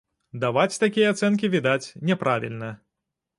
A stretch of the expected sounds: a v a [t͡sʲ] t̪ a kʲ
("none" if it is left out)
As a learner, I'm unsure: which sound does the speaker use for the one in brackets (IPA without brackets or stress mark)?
t͡sʲ